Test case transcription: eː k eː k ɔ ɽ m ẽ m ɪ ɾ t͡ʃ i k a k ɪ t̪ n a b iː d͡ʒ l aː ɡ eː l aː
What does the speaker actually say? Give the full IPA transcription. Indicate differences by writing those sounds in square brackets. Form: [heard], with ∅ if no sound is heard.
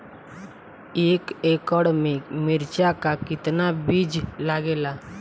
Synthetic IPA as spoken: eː k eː k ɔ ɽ m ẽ m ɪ ɾ t͡ʃ [a] k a k ɪ t̪ n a b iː d͡ʒ l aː ɡ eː l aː